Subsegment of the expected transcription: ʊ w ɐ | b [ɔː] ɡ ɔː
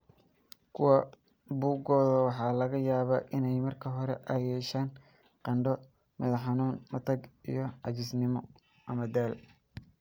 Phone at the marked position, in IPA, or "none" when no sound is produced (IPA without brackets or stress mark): uː